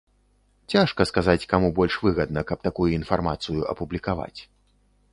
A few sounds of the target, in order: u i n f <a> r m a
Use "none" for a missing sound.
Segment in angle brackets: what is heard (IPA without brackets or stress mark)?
a